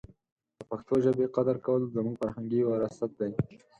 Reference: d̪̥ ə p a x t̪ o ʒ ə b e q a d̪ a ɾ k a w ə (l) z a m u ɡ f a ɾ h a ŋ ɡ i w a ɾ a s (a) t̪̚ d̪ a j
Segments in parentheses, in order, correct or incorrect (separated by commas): correct, correct